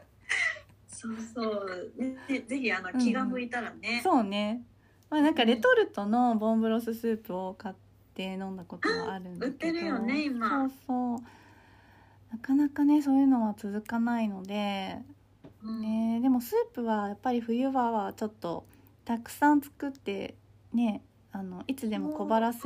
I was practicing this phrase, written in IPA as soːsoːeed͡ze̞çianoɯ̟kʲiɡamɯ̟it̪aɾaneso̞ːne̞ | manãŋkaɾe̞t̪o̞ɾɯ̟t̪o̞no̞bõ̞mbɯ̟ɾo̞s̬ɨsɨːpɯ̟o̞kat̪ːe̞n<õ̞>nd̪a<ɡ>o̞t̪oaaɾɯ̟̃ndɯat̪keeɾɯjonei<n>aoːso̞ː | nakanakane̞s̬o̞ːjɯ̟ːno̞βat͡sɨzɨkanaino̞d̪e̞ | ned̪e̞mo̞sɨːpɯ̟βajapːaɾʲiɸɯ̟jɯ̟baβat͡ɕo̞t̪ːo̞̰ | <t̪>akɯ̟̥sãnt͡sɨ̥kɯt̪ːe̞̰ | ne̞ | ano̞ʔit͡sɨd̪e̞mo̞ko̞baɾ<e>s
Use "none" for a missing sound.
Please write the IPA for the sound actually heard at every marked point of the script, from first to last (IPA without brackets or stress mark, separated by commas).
õ̞, k, m, t̪, a